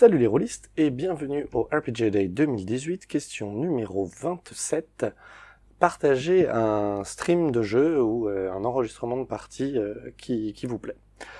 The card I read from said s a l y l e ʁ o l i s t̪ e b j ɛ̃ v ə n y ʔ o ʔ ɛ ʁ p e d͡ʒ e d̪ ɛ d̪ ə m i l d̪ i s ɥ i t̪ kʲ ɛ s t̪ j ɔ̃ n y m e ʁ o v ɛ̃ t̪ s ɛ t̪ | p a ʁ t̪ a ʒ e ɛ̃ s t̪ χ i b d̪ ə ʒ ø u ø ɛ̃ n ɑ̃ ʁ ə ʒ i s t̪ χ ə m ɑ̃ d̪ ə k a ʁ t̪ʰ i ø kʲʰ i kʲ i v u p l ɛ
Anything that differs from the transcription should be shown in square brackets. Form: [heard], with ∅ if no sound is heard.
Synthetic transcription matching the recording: s a l y l e ʁ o l i s t̪ e b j ɛ̃ v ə n y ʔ o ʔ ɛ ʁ p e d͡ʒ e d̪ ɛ d̪ ə m i l d̪ i [z] ɥ i t̪ kʲ ɛ s t̪ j ɔ̃ n y m e ʁ o v ɛ̃ t̪ s ɛ t̪ | p a ʁ t̪ a ʒ e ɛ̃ s t̪ χ i [m] d̪ ə ʒ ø u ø ɛ̃ n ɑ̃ ʁ ə ʒ i s t̪ χ ə m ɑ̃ d̪ ə [p] a ʁ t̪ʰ i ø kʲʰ i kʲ i v u p l ɛ